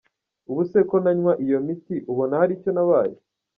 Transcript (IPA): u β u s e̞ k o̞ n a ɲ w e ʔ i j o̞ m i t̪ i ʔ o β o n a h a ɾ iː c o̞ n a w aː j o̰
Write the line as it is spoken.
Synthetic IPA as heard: u β u s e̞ k o̞ n a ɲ w a ʔ i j o̞ m i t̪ i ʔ u β o n a h a ɾ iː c o̞ n a β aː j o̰